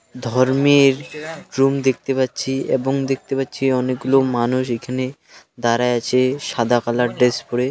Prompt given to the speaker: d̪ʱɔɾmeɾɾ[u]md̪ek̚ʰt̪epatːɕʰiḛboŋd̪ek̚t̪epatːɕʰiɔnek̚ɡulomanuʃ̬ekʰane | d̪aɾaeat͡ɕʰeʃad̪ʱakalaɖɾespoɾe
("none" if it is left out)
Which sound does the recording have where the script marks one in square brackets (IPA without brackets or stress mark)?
u